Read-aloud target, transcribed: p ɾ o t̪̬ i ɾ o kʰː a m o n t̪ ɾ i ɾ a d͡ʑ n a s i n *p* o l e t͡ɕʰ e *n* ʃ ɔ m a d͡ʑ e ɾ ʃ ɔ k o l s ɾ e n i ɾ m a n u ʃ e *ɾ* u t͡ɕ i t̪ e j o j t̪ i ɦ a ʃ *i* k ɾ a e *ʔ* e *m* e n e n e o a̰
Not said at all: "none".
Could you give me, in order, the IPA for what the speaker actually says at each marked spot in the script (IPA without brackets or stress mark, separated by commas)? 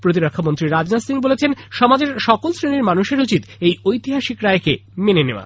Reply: b, n, ɾ, i, k, m